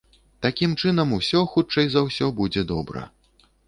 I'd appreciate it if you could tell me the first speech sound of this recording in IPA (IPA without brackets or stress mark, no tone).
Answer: t̪